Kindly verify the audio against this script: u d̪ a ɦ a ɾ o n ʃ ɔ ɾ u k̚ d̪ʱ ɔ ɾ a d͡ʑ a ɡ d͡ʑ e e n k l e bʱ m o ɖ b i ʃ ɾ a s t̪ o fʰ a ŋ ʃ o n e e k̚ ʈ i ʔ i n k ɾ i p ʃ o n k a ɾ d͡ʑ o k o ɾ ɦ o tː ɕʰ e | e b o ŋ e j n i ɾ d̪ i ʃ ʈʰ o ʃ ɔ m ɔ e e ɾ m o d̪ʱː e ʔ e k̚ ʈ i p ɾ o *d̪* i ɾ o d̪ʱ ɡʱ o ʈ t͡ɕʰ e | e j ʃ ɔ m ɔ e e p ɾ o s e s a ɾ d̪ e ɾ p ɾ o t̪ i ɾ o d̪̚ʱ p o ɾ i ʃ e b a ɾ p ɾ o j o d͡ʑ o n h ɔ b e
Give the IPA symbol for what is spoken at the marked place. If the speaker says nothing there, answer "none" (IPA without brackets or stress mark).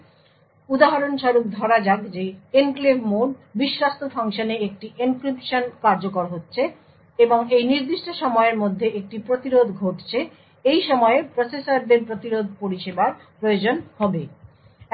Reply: t̪